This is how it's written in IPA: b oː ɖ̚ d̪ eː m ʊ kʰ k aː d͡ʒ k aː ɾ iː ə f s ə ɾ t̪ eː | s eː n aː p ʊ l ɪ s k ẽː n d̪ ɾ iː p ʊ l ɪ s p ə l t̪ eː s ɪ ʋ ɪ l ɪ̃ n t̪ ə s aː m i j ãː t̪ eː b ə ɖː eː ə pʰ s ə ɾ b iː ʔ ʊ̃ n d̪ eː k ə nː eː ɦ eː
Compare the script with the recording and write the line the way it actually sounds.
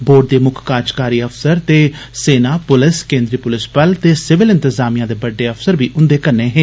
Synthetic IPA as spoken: b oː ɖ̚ d̪ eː m ʊ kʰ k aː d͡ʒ k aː ɾ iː ə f s ə ɾ t̪ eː | s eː n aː p ʊ l ɪ s k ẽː n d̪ ɾ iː p ʊ l ɪ s p ə l t̪ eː s ɪ ʋ ɪ l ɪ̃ n t̪ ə z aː m i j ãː d̪ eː b ə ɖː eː ə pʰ s ə ɾ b iː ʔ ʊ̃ n d̪ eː k ə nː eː ɦ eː